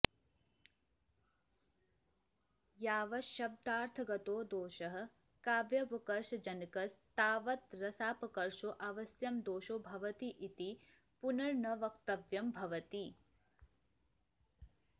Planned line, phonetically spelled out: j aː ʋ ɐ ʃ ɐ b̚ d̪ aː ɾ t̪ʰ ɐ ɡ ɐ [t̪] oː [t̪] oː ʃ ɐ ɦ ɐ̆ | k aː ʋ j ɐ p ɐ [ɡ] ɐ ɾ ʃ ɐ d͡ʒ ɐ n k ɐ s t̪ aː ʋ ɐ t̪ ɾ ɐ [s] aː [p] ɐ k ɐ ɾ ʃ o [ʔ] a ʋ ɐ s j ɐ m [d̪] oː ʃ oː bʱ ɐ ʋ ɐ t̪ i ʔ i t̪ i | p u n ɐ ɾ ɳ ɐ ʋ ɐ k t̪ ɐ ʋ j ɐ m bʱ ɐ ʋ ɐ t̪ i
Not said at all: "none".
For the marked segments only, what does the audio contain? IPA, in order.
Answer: t̪, d̪, k, s, p, ʔ, d̪

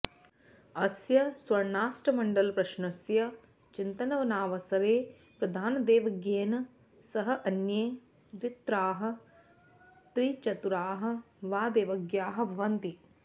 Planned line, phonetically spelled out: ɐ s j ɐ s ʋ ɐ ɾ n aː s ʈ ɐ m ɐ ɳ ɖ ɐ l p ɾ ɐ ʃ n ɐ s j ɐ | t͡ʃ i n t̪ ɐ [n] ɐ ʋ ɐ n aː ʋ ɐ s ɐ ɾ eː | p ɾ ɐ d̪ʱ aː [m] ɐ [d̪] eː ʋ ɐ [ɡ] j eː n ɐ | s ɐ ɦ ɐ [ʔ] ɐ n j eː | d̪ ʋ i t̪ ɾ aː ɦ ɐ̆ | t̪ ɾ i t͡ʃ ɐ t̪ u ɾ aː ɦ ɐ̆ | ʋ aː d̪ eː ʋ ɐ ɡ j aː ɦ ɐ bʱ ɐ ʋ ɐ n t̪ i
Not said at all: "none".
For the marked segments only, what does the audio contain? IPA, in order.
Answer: n, n, d̪, ɡ, ʔ

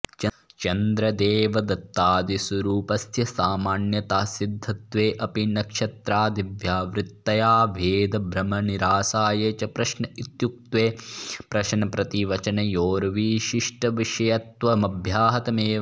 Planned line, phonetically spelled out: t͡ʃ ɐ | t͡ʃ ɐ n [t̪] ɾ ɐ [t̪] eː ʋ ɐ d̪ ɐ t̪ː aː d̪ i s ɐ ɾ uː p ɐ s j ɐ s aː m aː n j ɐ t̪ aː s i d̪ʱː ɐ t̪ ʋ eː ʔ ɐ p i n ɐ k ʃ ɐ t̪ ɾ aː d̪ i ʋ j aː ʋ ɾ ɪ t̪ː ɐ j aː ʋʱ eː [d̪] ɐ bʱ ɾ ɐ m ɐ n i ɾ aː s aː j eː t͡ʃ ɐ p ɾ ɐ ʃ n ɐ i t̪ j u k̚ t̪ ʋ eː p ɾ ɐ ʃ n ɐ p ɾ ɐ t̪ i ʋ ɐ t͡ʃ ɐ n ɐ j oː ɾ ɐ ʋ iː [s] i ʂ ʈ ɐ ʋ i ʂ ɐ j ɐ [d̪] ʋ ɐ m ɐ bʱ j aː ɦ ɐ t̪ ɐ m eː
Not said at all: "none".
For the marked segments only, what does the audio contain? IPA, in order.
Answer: d̪, d̪, d̪, ʃ, t̪

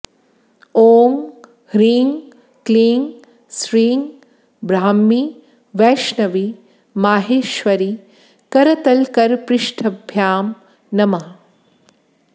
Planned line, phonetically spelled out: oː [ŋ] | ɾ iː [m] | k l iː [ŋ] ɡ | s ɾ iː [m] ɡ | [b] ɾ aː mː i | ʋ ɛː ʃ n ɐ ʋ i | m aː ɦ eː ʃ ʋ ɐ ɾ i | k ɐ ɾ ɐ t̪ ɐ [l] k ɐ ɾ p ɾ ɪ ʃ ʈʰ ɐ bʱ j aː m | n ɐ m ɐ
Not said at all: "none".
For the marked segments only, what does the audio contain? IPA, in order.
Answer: ŋ, ŋ, ŋ, ŋ, b, l

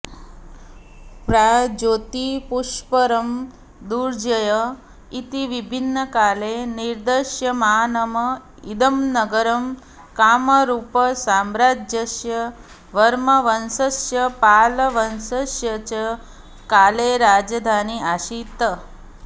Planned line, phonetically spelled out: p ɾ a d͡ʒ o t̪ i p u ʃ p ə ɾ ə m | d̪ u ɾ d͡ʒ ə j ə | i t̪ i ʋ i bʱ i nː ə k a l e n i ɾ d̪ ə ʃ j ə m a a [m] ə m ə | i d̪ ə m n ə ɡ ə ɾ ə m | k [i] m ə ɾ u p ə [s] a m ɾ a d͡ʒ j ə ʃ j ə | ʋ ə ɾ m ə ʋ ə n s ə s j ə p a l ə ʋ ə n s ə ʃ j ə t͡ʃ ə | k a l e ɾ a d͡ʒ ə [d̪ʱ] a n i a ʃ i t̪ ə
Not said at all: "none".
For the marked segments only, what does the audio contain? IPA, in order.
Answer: n, a, s, d̪ʱ

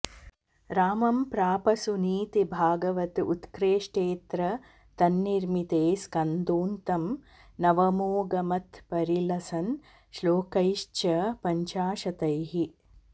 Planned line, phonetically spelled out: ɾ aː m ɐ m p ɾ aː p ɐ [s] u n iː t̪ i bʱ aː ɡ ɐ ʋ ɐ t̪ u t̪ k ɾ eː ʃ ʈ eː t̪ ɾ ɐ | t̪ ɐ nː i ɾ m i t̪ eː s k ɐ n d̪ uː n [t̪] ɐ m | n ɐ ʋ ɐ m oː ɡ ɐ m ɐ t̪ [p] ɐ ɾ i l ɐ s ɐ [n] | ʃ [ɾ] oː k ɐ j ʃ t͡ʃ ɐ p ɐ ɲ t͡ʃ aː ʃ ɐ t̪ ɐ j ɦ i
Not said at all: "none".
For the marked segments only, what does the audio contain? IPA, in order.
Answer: s, t̪, p, n, l

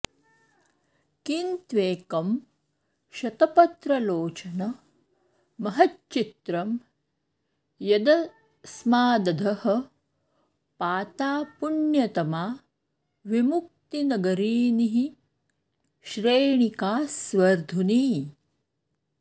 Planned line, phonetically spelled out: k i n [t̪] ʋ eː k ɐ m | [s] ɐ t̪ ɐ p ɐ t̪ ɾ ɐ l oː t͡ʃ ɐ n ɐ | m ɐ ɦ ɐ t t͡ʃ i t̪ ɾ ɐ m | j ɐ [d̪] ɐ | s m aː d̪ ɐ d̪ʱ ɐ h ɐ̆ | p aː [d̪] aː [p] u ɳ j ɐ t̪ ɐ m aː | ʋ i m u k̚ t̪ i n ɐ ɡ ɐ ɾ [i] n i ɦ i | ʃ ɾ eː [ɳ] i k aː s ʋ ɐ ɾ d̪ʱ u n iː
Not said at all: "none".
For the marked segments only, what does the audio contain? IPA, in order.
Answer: t̪, ʃ, d̪, t̪, p, iː, ɳ

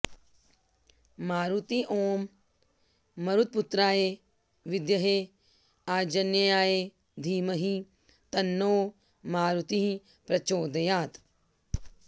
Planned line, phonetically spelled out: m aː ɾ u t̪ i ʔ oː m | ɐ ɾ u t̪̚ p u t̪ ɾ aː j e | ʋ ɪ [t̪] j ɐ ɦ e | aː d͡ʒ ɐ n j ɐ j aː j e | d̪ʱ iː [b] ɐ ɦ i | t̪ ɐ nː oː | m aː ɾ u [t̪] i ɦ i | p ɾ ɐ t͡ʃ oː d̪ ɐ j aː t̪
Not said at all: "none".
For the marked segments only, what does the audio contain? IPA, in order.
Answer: d̪, m, t̪

